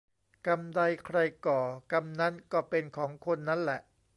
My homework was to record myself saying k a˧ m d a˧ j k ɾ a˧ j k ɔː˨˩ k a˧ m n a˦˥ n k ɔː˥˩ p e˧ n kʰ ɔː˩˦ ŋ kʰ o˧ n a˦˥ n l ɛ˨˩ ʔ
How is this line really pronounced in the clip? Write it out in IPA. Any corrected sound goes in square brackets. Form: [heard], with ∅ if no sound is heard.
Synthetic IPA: k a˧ m d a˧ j [kʰ] ɾ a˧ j k ɔː˨˩ k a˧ m n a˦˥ n k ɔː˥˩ p e˧ n kʰ ɔː˩˦ ŋ kʰ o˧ [nː] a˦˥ n l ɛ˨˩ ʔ